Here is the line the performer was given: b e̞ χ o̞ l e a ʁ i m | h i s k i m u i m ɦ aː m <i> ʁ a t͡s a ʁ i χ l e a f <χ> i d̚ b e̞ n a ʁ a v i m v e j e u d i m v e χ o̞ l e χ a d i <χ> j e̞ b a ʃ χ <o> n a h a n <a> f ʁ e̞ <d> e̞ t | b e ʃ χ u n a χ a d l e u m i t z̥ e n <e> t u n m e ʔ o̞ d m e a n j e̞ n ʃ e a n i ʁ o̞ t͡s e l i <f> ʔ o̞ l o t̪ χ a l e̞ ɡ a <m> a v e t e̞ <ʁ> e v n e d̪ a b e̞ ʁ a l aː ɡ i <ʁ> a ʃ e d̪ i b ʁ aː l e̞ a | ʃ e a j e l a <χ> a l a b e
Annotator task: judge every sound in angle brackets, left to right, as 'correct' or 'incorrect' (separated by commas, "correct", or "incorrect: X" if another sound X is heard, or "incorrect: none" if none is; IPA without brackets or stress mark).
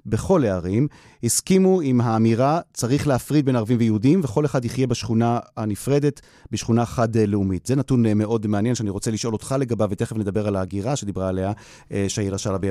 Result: correct, incorrect: ʁ, correct, incorrect: u, incorrect: i, correct, incorrect: a, incorrect: ʃ, incorrect: b, incorrect: χ, correct, incorrect: ʃ